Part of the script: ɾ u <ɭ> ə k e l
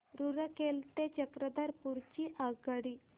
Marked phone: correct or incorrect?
incorrect